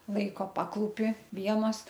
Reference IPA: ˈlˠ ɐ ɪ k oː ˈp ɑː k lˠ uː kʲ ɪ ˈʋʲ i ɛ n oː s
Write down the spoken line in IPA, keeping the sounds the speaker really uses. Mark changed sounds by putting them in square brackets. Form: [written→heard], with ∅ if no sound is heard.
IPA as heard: ˈlˠ ɐ ɪ k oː ˈp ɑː k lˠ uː [kʲ→pʲ] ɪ ˈʋʲ i ɛ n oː s